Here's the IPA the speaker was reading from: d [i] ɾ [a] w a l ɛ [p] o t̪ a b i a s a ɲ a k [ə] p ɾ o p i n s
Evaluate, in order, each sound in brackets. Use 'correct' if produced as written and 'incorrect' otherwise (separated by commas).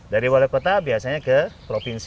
incorrect, incorrect, incorrect, correct